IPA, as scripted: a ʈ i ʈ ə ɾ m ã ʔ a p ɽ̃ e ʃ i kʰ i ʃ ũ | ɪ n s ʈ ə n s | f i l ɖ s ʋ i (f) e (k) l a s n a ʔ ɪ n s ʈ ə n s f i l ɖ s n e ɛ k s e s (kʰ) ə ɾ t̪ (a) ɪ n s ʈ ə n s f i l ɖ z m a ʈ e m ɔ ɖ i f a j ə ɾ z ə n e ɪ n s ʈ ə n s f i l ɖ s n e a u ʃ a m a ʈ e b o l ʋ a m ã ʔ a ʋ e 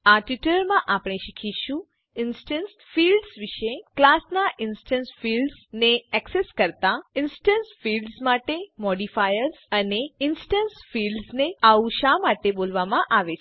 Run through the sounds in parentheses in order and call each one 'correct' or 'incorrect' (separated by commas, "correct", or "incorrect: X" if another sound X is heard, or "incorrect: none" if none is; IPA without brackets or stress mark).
incorrect: ʃ, correct, incorrect: k, correct